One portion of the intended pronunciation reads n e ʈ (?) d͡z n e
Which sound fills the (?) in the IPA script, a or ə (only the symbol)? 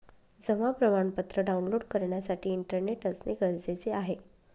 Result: ə